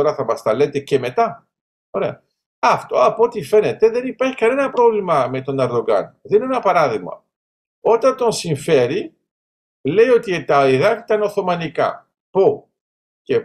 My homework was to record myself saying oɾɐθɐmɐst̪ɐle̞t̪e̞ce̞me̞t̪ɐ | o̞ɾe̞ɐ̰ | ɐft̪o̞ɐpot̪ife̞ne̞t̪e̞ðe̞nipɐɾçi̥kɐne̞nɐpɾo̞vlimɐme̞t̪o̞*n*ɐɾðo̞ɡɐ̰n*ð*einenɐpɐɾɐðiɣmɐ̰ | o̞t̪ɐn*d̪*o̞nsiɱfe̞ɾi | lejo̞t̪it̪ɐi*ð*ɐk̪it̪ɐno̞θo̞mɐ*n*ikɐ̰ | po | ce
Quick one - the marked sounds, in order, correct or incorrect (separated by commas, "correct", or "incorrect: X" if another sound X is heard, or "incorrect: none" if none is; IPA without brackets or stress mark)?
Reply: correct, correct, incorrect: t̪, correct, correct